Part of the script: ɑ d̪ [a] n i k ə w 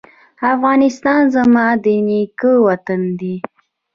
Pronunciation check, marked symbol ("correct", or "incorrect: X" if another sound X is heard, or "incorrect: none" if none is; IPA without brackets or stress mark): incorrect: ə